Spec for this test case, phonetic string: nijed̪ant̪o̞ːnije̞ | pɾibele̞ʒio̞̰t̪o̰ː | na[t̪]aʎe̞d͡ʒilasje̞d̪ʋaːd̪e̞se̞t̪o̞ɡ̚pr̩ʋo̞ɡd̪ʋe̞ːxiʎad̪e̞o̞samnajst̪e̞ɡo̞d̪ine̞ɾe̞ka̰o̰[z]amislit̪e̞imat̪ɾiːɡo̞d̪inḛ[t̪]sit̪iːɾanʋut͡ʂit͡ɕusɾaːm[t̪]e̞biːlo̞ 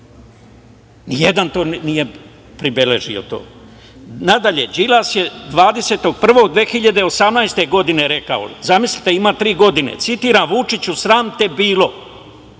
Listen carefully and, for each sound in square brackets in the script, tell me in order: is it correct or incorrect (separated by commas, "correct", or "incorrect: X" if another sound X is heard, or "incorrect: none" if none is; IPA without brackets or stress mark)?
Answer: incorrect: d̪, correct, correct, correct